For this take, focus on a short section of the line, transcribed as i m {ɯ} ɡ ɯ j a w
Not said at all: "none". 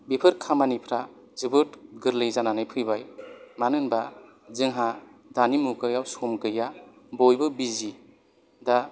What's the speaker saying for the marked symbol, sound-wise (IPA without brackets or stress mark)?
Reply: u